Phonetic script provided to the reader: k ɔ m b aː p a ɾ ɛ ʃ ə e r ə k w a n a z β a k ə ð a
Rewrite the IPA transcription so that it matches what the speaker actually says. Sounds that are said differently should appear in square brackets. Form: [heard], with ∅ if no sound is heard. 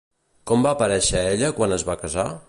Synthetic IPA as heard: k ɔ m b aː p [ə] ɾ ɛ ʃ ə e [ʎ] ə k w a n [ə] z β a k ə [z] a